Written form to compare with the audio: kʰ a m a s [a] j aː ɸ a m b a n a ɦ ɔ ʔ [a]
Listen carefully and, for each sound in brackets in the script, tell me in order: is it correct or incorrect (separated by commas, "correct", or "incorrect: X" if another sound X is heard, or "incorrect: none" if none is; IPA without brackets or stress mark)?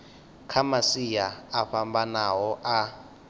incorrect: i, correct